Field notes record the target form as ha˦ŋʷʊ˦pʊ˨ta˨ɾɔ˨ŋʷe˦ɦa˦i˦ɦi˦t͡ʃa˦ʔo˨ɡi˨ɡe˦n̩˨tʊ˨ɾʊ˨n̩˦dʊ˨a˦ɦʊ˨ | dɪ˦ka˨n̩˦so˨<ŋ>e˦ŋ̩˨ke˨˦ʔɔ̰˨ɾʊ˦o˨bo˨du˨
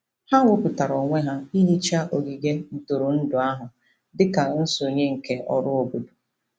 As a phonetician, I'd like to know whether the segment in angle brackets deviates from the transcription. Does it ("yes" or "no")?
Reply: yes